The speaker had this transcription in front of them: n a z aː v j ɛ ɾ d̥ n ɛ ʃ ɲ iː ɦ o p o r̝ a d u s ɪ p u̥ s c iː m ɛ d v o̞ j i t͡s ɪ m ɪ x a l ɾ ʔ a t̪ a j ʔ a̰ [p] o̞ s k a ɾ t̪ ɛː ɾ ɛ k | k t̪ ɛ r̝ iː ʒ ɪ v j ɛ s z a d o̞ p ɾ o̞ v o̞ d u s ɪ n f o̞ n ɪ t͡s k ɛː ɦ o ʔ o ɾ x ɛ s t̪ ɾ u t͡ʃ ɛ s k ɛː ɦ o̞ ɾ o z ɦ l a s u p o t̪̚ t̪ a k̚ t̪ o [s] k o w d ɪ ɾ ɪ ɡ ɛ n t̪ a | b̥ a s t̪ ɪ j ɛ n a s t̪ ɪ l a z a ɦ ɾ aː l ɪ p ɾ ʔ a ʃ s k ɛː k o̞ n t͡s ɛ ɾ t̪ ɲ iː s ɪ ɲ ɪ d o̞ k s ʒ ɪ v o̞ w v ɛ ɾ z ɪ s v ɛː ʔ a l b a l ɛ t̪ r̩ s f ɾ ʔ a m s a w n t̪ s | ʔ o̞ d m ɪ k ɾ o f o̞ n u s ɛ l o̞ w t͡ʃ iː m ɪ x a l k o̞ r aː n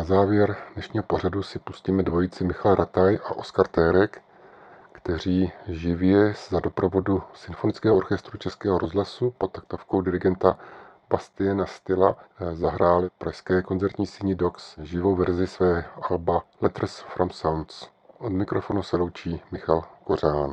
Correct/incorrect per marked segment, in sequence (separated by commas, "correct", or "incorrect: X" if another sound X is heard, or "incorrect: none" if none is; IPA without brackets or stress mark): incorrect: ʔ, incorrect: f